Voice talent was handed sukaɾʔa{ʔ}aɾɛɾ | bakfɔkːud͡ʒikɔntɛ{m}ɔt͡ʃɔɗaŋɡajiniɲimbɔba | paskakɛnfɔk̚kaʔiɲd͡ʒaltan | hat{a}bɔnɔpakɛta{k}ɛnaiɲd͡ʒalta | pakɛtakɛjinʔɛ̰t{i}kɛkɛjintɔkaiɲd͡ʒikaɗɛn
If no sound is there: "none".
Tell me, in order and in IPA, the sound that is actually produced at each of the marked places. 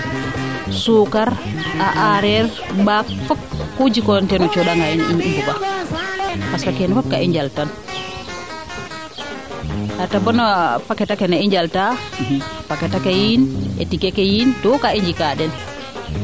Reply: ʔ, n, a, k, i

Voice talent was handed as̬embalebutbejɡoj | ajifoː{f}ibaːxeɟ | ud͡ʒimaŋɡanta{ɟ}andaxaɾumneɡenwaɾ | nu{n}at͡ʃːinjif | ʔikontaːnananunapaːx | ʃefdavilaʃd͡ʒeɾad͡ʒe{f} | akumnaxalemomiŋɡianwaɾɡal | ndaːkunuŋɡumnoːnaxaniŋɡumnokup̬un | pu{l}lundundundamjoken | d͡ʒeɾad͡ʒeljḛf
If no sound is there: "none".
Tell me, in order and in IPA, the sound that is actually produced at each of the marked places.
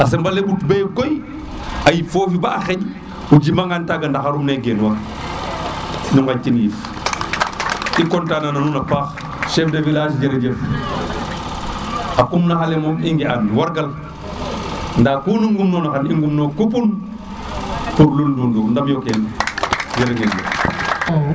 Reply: f, ɡ, ŋ, f, ɾ

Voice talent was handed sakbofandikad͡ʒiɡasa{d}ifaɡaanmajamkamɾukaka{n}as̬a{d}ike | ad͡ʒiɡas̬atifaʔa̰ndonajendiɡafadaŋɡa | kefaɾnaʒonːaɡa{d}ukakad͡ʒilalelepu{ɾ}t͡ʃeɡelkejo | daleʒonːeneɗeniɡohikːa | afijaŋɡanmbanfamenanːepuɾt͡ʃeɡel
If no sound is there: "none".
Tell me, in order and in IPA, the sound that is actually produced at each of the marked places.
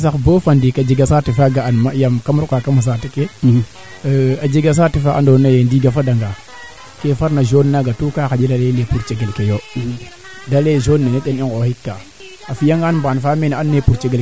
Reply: t, m, t, t, ɾ

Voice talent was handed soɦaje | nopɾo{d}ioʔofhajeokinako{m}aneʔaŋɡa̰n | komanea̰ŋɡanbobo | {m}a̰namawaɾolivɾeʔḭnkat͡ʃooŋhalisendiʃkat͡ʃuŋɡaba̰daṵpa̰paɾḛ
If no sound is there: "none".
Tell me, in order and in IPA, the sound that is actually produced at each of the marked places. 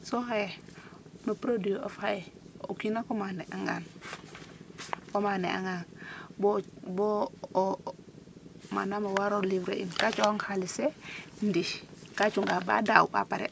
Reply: d, m, m

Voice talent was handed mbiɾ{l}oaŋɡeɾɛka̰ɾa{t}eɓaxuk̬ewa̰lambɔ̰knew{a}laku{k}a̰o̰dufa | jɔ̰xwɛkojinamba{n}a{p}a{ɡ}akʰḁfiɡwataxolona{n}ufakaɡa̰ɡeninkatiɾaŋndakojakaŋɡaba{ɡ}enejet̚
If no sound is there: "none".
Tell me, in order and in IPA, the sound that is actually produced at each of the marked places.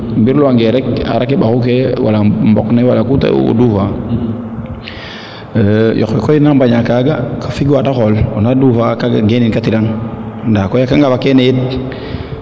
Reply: l, k, a, t, ɲ, k, ɡ, d, k

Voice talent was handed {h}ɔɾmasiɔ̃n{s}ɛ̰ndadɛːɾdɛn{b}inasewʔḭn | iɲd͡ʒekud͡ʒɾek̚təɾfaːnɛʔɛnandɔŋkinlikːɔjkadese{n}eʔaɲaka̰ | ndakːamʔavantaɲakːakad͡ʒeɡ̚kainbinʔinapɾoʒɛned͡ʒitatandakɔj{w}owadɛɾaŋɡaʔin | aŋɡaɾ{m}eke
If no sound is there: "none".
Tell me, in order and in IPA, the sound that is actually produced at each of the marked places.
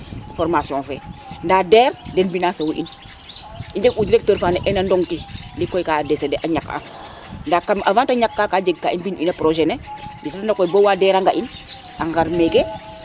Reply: f, f, b, d, b, m

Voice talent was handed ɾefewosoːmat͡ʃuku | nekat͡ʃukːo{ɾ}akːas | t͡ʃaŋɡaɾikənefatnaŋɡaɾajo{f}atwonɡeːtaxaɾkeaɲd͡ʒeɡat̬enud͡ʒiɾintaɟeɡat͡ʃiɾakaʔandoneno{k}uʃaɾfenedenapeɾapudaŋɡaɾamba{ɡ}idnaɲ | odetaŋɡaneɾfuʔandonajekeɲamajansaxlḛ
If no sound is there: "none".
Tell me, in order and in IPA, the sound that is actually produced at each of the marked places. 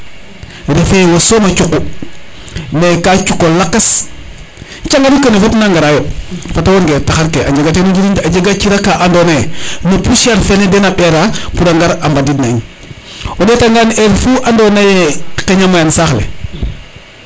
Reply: l, f, p, d

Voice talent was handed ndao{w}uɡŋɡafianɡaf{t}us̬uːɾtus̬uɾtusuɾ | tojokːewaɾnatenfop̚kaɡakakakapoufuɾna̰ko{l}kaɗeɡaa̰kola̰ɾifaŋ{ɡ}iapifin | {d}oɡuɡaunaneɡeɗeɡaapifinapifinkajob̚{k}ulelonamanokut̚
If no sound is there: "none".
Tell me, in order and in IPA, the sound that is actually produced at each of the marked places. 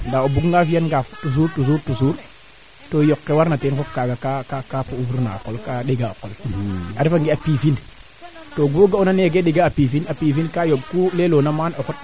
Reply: b, t, l, ɡ, t, k

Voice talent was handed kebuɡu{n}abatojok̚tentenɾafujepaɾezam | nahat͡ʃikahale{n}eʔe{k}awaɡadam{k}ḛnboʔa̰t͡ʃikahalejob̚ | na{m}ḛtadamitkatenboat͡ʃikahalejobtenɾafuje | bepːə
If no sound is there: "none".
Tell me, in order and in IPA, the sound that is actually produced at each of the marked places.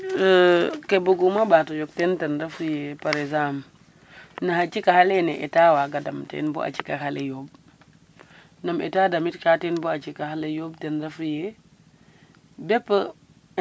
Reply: m, n, t, t, m

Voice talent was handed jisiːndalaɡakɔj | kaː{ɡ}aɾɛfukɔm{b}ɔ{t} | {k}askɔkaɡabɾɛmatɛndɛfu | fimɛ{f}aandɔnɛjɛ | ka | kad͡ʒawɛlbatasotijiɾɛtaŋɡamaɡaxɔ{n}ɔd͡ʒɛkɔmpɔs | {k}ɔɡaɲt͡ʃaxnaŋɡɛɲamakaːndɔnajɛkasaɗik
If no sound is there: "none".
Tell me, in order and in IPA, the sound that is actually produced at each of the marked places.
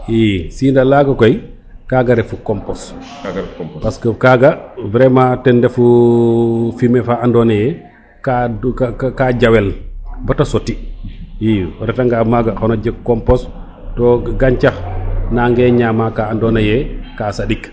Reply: ɡ, p, s, p, f, n, t

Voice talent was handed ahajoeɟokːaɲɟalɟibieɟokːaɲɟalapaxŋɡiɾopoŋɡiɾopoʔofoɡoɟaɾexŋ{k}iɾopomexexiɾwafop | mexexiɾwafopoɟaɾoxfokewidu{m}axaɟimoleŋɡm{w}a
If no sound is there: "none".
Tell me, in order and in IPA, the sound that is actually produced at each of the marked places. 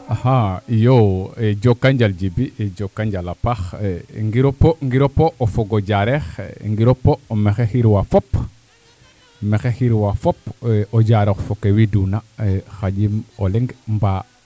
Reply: ɡ, n, b

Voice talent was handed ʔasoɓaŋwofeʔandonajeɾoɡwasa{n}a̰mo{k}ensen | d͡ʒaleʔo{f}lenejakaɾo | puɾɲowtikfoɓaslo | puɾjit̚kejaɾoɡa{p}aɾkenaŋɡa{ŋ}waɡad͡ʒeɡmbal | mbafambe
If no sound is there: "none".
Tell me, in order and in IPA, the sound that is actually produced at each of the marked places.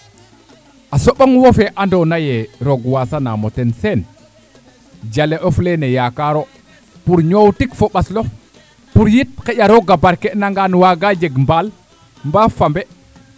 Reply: n, t, f, b, n

